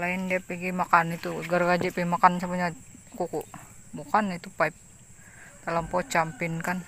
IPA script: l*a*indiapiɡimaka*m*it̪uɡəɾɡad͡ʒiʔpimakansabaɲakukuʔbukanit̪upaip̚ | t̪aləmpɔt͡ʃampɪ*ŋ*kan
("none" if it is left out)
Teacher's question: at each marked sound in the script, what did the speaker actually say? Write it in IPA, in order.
a, n, n

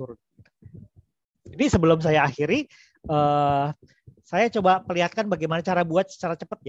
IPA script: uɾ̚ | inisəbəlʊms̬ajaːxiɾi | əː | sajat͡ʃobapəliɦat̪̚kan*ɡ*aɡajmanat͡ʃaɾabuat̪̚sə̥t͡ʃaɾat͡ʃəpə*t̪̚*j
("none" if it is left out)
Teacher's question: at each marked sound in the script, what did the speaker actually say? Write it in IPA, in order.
b, t̪̚

